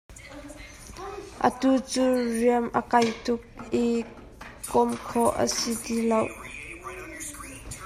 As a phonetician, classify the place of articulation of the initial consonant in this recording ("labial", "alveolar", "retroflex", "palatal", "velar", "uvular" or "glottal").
glottal